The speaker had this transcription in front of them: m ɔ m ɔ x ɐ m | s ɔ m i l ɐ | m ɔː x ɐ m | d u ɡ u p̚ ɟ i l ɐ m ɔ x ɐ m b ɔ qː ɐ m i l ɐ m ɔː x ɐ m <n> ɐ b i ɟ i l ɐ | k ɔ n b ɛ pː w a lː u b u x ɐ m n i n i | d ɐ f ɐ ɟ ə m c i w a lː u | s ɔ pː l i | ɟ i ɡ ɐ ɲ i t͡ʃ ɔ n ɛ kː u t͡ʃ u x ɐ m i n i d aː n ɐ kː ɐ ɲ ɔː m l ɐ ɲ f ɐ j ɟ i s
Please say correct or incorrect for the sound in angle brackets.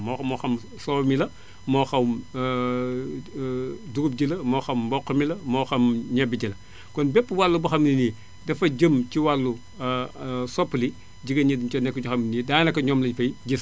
incorrect